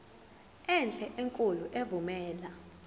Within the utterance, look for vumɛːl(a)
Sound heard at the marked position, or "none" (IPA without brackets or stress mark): a